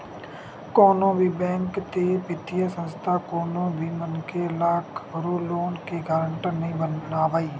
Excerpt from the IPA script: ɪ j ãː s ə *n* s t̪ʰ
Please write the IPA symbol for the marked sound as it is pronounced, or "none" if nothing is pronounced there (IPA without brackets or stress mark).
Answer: n